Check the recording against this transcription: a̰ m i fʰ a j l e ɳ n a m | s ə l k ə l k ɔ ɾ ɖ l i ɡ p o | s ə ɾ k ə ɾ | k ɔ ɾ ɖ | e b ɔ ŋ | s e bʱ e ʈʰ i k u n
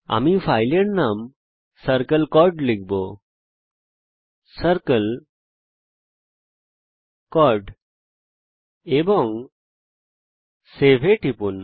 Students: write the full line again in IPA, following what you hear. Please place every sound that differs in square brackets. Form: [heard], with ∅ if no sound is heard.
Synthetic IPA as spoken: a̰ m i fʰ a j l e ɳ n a m | s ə [ɾ] k ə l k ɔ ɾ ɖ l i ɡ [b] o | s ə ɾ k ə [l] | k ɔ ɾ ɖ | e b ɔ ŋ | s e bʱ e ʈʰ i [p] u n